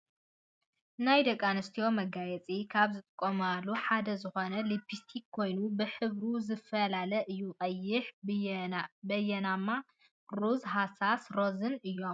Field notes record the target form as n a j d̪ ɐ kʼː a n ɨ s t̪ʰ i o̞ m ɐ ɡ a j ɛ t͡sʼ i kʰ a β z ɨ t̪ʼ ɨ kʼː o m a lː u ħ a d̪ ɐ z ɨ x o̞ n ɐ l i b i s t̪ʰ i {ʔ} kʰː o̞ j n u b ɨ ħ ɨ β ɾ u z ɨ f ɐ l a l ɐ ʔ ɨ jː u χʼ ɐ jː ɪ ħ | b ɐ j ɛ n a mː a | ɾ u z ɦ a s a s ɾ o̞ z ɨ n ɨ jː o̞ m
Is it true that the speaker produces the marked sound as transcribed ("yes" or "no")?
no